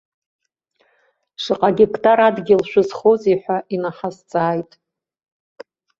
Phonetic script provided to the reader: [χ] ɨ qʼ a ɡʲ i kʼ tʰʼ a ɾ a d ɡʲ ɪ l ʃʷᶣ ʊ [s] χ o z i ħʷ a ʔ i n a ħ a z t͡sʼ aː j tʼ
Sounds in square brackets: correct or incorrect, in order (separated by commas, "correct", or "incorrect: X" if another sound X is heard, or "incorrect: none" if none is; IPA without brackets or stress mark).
incorrect: ʂ, incorrect: z